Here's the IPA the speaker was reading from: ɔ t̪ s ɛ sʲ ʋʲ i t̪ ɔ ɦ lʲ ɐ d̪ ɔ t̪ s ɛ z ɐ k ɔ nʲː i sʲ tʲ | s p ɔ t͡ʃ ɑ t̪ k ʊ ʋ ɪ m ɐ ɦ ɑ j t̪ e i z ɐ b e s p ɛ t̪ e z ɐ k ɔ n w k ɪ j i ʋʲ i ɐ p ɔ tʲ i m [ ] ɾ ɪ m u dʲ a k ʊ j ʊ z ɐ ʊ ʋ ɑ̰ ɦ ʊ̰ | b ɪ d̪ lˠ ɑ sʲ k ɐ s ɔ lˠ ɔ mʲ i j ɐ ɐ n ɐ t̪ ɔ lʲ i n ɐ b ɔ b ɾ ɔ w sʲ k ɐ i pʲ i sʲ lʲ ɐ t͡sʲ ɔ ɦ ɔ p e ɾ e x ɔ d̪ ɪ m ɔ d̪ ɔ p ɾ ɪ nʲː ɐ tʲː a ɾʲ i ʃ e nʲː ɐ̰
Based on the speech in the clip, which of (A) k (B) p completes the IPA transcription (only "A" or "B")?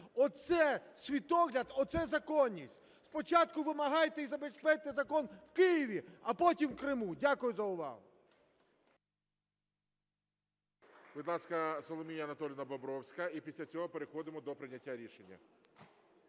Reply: A